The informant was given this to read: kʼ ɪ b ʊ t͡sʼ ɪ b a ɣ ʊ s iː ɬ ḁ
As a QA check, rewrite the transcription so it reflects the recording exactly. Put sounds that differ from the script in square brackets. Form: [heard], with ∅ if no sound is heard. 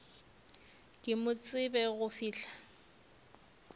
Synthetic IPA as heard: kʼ ɪ [m] ʊ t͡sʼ ɪ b [ɛ] ɣ ʊ [f] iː ɬ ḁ